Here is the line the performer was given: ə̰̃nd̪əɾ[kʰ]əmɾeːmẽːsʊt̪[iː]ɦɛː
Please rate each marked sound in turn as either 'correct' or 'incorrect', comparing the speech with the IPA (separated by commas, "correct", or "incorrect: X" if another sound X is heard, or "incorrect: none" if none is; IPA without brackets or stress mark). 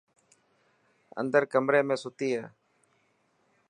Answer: incorrect: k, correct